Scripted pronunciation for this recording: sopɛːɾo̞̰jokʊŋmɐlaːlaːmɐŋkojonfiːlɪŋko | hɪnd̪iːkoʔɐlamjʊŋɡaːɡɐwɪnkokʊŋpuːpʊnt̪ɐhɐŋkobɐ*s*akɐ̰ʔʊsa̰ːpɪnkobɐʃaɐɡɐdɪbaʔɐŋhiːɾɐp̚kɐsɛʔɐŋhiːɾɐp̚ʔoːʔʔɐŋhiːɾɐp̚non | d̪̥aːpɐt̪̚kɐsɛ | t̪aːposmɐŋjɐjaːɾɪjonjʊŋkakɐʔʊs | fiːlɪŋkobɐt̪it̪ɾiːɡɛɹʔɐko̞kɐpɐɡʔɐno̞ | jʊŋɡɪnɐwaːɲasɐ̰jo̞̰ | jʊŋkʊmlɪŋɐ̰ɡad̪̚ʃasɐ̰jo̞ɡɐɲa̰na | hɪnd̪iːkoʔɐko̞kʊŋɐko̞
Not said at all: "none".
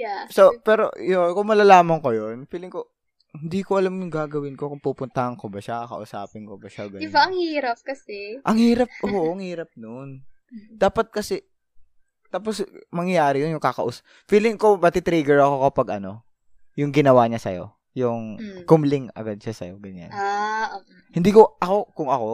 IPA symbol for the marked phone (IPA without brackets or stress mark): ʃ